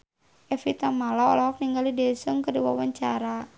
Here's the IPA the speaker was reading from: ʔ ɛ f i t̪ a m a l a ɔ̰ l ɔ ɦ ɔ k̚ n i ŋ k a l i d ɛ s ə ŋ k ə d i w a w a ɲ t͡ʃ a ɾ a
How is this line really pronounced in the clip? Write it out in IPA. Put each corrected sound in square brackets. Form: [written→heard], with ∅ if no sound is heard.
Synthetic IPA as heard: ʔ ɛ f i t̪ a m a l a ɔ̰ l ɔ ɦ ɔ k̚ n i ŋ [k→ɡ] a l i d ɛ s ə ŋ k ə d i w a w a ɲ t͡ʃ a ɾ a